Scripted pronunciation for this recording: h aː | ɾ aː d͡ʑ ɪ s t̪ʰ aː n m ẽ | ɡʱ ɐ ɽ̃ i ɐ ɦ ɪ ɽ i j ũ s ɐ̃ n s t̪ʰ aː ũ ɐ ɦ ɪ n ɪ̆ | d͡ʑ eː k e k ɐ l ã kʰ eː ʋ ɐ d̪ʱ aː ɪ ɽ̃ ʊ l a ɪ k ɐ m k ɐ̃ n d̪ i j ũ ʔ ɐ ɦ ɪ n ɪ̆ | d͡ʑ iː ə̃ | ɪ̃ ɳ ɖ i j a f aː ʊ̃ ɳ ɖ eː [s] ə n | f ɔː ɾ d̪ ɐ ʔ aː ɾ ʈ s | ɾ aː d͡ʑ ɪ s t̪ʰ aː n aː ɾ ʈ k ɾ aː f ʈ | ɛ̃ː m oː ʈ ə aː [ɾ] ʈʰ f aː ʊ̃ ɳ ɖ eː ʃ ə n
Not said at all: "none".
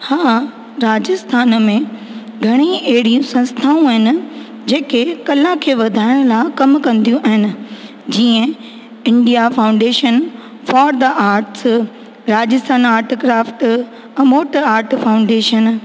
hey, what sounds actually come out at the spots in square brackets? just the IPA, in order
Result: ʃ, ɾ

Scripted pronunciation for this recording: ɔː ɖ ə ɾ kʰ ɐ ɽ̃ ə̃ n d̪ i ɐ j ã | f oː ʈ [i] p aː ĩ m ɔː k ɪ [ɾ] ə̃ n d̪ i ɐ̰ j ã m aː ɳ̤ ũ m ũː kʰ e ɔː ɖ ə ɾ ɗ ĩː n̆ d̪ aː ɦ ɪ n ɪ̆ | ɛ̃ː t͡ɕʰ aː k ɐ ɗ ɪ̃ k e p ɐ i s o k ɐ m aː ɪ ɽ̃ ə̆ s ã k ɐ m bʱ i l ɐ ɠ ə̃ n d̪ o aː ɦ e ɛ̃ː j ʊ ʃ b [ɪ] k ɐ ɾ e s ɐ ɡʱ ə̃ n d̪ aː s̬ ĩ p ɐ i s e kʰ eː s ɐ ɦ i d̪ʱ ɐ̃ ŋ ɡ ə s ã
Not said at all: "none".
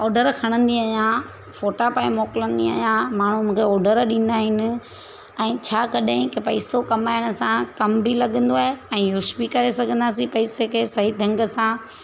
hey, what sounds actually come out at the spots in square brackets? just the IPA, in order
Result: a, l, i

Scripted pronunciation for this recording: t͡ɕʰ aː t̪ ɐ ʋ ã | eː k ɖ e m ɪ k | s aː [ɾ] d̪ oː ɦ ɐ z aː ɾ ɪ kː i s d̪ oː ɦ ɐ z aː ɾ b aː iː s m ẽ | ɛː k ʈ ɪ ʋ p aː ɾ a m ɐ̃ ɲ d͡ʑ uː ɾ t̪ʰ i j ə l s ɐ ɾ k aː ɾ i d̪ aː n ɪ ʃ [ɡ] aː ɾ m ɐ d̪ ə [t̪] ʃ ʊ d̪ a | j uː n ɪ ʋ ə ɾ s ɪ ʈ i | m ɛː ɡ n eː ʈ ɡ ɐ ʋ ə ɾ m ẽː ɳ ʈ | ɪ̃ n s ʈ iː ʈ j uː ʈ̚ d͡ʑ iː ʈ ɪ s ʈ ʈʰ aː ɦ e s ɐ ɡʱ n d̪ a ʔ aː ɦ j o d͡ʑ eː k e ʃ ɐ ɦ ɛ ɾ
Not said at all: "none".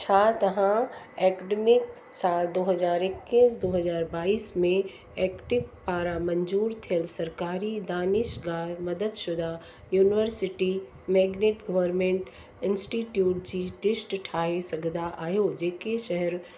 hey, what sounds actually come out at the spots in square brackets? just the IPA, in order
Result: l, ɡ, d̪

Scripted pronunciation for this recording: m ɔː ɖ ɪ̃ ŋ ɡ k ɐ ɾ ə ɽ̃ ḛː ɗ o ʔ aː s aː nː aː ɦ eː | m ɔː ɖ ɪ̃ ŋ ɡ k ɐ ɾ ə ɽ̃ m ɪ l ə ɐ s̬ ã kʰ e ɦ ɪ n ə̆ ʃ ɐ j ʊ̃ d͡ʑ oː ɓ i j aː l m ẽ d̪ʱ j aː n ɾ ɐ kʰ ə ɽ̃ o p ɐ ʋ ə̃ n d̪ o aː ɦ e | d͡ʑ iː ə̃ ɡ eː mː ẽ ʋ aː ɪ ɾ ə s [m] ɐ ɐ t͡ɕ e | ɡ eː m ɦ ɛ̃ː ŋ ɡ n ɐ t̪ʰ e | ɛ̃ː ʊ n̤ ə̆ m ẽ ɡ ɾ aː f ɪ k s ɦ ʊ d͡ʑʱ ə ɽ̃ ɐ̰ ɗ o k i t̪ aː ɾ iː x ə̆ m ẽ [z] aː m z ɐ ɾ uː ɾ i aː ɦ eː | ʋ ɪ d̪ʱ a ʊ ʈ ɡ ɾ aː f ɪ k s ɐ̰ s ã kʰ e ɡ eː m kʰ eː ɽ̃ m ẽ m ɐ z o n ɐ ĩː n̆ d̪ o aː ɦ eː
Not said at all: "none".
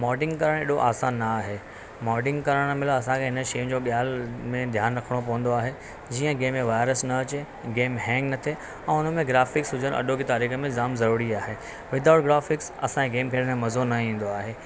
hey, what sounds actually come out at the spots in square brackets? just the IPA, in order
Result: n, z

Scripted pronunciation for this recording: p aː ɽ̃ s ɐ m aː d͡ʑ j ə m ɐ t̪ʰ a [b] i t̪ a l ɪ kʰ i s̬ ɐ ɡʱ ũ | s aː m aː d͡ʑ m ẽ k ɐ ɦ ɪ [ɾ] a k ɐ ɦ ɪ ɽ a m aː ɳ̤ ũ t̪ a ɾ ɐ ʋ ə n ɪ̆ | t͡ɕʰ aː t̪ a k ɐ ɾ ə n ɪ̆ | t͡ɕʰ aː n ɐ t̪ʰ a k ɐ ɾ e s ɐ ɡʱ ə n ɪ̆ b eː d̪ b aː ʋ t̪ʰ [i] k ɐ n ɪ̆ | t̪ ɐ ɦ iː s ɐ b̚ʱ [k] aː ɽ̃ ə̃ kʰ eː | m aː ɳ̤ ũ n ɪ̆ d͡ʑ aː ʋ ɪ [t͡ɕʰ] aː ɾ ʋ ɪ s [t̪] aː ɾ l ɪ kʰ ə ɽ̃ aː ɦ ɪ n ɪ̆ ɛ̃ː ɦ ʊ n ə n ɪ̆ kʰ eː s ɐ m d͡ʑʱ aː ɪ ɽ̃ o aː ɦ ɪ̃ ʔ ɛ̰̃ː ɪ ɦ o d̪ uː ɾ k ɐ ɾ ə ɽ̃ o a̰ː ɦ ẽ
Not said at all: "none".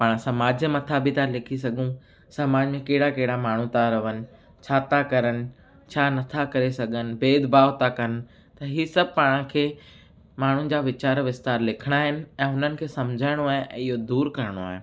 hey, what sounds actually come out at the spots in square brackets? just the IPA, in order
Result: b, ɽ, a, p, t͡ɕ, t̪

